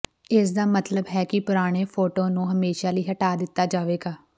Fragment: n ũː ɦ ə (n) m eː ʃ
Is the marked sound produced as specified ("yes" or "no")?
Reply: no